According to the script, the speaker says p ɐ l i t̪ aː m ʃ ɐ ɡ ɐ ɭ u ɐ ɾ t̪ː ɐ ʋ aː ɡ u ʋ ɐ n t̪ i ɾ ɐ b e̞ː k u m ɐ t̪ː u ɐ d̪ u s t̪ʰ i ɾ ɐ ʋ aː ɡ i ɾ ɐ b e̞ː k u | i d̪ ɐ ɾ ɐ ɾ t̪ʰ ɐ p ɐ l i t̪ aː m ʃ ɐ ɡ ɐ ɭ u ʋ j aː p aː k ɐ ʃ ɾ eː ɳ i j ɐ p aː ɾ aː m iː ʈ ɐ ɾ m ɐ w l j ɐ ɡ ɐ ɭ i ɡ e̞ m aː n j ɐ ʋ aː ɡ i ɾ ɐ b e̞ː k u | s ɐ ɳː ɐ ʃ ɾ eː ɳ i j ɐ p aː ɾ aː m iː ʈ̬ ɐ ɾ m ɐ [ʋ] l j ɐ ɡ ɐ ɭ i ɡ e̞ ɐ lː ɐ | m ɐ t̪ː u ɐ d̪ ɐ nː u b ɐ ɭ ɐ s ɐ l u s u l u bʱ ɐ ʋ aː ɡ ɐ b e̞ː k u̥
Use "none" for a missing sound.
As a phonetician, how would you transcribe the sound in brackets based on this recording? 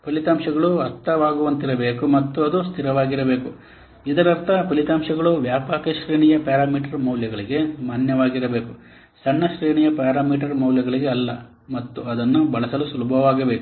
w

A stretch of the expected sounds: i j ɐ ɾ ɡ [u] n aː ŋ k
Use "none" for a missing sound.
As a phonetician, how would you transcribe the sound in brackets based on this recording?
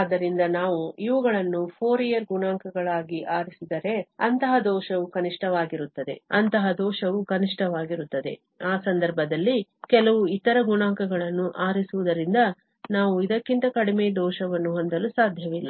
u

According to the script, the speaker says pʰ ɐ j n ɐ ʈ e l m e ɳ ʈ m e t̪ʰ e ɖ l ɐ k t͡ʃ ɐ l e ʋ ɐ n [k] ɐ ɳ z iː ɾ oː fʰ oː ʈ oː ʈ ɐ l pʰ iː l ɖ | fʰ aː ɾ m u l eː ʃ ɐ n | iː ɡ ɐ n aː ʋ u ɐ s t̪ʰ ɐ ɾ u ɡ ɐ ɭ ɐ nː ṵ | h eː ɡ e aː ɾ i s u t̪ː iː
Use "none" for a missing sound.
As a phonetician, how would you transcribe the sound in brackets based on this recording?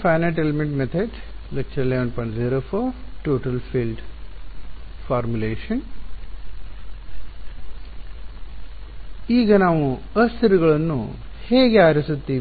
p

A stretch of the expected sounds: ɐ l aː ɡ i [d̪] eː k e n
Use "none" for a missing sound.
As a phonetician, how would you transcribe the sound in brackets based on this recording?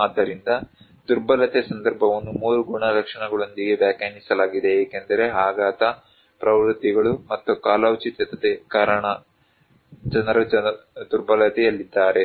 d̪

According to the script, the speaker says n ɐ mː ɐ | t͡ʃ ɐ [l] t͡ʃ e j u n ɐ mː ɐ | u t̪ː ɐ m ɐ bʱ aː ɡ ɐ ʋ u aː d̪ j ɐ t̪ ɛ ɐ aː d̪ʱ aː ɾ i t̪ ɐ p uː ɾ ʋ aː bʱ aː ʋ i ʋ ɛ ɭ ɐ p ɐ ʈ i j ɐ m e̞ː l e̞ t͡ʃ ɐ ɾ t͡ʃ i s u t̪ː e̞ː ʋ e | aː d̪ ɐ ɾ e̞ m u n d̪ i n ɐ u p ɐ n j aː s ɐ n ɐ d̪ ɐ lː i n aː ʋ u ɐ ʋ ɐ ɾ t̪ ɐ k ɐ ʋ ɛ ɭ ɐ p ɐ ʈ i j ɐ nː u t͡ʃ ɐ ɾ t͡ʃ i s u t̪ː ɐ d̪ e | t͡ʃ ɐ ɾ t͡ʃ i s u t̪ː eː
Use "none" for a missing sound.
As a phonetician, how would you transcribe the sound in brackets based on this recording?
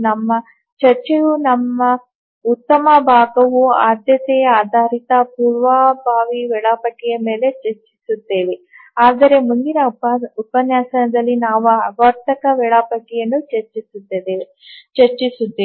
ɾ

